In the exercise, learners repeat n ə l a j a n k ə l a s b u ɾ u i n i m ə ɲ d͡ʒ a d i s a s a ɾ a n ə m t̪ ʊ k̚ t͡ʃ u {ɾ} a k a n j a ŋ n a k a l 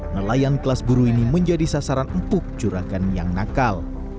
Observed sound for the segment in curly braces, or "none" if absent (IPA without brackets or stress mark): ɾ